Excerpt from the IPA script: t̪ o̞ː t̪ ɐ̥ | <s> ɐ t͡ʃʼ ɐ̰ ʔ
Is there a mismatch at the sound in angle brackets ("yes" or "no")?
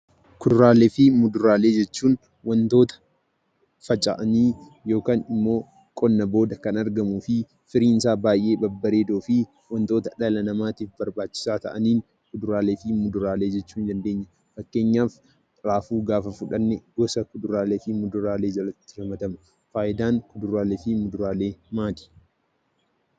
yes